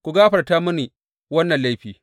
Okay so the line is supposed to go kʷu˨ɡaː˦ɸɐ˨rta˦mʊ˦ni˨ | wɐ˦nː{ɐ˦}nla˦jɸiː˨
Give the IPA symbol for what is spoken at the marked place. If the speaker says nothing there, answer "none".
ɐ˨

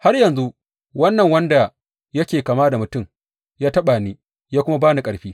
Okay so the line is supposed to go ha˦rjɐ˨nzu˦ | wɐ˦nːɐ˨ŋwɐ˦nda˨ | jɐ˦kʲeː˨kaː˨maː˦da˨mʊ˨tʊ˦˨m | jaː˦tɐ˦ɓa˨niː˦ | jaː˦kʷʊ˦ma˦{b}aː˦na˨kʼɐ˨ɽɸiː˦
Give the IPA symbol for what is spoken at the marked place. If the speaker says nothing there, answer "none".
b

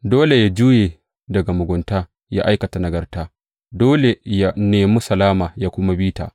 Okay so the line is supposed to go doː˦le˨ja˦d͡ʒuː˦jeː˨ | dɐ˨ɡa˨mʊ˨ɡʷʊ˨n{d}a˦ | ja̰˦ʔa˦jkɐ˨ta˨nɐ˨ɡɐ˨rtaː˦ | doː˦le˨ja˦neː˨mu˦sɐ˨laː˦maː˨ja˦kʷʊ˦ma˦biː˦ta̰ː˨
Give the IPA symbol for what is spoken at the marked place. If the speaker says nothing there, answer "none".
t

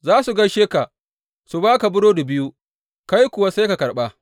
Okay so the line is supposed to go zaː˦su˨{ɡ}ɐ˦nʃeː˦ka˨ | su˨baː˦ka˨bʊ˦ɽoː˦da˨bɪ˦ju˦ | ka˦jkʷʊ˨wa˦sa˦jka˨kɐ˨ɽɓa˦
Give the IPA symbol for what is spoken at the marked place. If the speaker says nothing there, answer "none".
ɡ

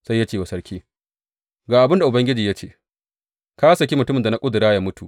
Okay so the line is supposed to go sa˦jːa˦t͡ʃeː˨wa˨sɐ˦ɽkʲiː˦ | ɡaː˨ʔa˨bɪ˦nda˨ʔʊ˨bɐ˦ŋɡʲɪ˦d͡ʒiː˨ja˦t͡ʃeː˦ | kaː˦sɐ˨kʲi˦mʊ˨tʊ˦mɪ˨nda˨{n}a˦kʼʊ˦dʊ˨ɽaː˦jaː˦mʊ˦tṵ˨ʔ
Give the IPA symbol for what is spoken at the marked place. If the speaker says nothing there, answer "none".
n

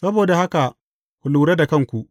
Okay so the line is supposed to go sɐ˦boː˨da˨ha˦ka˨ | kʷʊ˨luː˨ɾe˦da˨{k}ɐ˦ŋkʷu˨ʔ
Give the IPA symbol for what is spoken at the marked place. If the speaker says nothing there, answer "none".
k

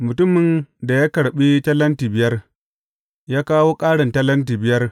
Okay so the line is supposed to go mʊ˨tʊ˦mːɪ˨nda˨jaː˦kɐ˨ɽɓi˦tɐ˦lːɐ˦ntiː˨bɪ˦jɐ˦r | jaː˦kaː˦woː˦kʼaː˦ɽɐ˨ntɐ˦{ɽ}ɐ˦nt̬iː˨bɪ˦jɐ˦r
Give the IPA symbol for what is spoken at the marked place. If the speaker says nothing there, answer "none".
l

